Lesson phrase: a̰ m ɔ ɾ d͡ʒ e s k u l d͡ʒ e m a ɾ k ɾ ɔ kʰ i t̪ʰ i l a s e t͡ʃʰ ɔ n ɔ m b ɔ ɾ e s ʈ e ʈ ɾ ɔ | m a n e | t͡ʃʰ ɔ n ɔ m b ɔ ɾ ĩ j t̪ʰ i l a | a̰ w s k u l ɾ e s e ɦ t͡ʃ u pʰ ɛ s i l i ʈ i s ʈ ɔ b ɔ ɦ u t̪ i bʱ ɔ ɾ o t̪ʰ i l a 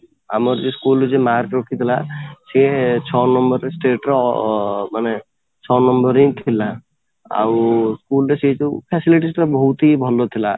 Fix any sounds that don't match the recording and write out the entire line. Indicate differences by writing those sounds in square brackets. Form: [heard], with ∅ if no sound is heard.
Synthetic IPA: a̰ m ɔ ɾ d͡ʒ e s k u l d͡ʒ e m a ɾ k ɾ ɔ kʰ i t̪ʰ i l a s e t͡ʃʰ ɔ n ɔ m b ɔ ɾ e s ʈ e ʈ ɾ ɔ | m a n e | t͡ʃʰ ɔ n ɔ m b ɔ ɾ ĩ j t̪ʰ i l a | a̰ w s k u l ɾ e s e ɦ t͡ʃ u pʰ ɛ s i l i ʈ i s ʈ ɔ b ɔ ɦ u t̪ i bʱ ɔ [l] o t̪ʰ i l a

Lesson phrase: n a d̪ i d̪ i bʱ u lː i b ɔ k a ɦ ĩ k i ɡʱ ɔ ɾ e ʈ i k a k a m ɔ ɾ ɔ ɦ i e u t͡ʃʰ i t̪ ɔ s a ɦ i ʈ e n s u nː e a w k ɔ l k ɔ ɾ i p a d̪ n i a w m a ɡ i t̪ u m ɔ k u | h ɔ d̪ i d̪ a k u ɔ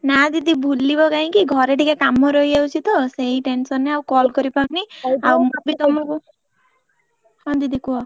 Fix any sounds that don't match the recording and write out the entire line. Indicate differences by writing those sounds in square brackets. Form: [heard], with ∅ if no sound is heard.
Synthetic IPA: n a d̪ i d̪ i bʱ u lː i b ɔ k a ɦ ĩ k i ɡʱ ɔ ɾ e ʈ i k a k a m ɔ ɾ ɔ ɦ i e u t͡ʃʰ i t̪ ɔ s [e] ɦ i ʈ e n s [ɔ] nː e a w k ɔ l k ɔ ɾ i p a [∅] n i a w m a [b] i t̪ [ɔ] m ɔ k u | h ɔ d̪ i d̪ [i] k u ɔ

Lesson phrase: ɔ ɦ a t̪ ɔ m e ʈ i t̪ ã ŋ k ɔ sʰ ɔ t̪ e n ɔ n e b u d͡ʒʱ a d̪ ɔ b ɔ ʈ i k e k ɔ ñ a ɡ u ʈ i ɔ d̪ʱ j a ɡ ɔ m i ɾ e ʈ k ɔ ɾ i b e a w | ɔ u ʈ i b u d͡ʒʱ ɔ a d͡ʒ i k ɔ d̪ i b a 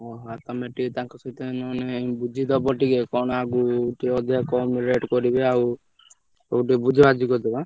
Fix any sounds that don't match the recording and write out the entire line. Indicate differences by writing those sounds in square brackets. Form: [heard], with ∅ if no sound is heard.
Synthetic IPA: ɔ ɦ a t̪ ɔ m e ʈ i t̪ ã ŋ k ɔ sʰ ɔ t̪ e n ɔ n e b u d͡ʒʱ [i] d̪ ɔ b ɔ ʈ i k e k ɔ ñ a ɡ u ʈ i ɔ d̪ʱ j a [k] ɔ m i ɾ e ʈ k ɔ ɾ i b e a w | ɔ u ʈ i b u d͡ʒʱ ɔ a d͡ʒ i k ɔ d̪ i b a

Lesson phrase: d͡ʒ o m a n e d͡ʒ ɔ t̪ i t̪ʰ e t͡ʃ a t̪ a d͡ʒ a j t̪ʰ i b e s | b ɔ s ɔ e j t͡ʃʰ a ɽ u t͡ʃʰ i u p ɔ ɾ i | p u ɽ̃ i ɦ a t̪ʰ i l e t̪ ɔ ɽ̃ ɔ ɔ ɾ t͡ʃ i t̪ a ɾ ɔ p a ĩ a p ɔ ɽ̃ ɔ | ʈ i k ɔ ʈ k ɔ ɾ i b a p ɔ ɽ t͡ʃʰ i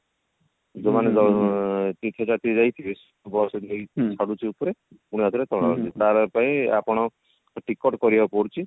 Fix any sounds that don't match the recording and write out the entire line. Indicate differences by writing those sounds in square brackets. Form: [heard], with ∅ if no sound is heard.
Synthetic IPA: d͡ʒ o m a n e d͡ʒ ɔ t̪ i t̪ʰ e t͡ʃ a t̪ [i] d͡ʒ a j t̪ʰ i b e s | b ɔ s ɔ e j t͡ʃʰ a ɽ u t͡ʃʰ i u p ɔ ɾ [e] | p u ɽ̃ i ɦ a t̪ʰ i [ɾ] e t̪ ɔ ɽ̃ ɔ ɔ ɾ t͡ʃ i t̪ a ɾ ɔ p a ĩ a p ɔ ɽ̃ ɔ | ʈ i k ɔ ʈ k ɔ ɾ i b a p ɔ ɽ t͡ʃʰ i

